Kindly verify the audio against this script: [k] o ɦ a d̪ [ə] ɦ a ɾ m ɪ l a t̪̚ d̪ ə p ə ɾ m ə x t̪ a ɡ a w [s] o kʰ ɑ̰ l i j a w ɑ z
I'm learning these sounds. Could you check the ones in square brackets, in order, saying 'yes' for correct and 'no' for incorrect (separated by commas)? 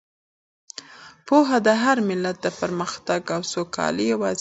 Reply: no, yes, yes